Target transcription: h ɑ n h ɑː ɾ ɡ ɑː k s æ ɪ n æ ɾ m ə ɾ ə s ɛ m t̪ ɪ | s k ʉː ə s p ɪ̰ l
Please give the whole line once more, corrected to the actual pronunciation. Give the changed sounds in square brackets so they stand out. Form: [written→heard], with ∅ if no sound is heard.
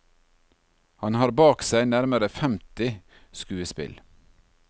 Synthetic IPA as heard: h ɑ n h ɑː ɾ [ɡ→b] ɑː k s æ ɪ n æ ɾ m ə ɾ ə [s→f] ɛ m t̪ ɪ | s k ʉː ə s p ɪ̰ l